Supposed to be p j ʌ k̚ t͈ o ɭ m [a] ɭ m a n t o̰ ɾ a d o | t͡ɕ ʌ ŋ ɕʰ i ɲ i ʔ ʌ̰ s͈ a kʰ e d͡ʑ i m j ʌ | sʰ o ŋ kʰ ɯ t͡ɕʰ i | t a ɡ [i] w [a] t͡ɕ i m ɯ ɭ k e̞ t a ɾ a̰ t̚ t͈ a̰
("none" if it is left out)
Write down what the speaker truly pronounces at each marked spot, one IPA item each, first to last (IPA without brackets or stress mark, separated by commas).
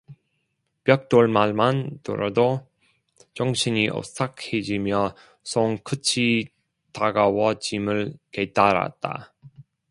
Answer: a, a, ʌ